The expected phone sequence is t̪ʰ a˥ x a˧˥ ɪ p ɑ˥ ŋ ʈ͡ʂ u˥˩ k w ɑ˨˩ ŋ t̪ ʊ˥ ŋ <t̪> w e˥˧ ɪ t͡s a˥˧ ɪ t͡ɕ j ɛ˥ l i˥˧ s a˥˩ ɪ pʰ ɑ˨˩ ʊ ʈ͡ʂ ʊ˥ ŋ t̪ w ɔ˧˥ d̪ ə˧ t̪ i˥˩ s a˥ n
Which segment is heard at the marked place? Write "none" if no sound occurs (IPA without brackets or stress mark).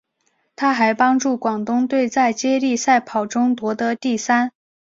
t̪